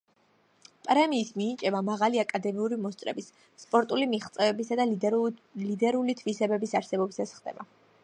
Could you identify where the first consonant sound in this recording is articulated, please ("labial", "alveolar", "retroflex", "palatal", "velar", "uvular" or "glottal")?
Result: labial